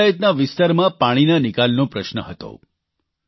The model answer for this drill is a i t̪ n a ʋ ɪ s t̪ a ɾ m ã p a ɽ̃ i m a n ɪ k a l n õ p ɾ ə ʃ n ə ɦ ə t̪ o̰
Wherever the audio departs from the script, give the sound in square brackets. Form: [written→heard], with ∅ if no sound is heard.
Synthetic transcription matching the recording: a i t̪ n a ʋ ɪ s t̪ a ɾ m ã p a ɽ̃ i [m→n] a n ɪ k a l n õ p ɾ ə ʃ n ə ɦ ə t̪ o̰